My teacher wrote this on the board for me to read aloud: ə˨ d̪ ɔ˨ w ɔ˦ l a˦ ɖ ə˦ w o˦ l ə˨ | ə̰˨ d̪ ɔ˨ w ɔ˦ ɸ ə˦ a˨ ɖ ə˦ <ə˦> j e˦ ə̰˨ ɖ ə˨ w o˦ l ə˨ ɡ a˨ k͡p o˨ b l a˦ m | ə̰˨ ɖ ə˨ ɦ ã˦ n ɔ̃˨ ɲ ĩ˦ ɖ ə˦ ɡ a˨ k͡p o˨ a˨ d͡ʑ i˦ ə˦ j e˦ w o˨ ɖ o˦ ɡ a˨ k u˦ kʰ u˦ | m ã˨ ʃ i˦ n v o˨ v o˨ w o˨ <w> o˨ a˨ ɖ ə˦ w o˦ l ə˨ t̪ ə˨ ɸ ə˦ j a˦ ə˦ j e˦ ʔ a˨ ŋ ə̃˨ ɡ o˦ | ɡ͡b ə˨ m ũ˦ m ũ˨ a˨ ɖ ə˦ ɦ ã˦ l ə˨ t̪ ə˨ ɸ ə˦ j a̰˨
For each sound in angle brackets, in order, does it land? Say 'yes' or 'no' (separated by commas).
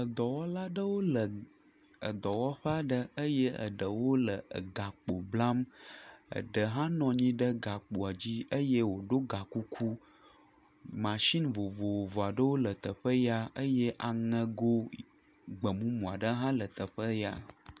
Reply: yes, no